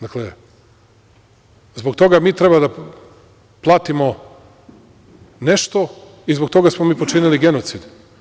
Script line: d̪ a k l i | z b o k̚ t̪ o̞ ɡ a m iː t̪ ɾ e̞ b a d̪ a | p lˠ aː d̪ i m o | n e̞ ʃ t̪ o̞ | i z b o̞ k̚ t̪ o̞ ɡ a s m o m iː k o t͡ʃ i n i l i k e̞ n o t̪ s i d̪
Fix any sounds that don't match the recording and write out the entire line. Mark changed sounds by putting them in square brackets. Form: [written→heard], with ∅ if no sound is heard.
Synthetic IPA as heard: d̪ a k l [i→e] | z b o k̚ t̪ o̞ ɡ a m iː t̪ ɾ e̞ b a d̪ a | p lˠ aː [d̪→t̪] i m o | n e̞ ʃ t̪ o̞ | i z b o̞ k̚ t̪ o̞ ɡ a s m o m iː [k→p] o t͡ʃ i n i l i [k→ɡ] e̞ n o t̪ s i d̪